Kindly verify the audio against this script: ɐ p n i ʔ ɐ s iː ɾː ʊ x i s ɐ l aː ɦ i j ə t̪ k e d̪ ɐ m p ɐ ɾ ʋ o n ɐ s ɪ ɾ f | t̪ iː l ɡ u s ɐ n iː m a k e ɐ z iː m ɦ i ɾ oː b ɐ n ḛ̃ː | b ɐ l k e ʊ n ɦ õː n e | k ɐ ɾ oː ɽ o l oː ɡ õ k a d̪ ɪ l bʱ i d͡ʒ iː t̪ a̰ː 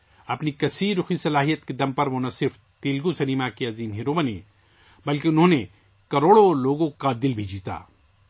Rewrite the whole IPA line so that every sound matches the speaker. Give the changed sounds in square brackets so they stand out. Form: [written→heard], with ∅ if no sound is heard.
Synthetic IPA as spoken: ɐ p n i [ʔ→k] ɐ s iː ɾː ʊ x i s ɐ l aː ɦ i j ə t̪ k e d̪ ɐ m p ɐ ɾ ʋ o n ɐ s ɪ ɾ f | t̪ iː l ɡ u s ɐ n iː m a k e ɐ z iː m ɦ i ɾ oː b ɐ n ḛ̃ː | b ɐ l k e ʊ n ɦ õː n e | k ɐ ɾ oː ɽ o l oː ɡ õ k a d̪ ɪ l bʱ i d͡ʒ iː t̪ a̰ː